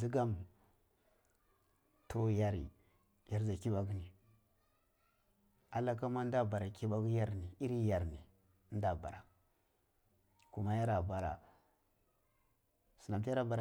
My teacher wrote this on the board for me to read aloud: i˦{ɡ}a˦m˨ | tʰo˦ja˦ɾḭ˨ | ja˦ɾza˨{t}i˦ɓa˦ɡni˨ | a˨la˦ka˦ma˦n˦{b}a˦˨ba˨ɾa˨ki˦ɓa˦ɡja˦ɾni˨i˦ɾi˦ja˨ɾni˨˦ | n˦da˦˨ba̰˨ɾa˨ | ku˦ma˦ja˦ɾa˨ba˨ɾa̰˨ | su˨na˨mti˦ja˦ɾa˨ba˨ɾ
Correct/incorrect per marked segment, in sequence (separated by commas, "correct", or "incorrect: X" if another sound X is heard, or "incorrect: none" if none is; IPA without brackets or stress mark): correct, incorrect: k, incorrect: d